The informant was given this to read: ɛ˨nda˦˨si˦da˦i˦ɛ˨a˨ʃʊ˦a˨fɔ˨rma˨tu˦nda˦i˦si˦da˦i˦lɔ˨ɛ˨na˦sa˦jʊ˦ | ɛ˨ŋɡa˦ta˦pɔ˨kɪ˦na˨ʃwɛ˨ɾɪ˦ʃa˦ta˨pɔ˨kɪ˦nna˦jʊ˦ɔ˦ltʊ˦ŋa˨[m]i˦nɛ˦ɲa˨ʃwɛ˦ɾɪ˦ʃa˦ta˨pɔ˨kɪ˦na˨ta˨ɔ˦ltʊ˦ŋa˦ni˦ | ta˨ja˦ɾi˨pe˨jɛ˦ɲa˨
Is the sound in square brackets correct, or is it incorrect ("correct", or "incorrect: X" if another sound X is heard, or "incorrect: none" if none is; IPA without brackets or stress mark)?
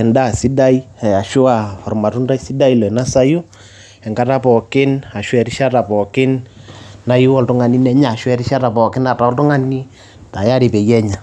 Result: incorrect: n